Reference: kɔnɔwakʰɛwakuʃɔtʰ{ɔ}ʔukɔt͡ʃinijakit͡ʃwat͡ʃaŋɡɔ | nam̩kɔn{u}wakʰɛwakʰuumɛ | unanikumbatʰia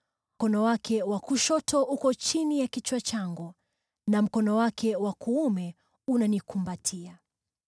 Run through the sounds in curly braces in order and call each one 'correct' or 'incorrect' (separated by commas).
correct, incorrect